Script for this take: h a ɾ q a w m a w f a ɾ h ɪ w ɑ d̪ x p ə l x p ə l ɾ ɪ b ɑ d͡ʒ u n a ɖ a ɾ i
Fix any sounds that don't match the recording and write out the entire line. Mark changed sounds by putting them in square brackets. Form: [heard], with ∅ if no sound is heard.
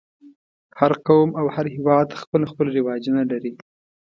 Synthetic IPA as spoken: h a ɾ q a w m a w [h] a ɾ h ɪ w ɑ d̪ x p ə l x p ə l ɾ ɪ [w] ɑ d͡ʒ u n a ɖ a ɾ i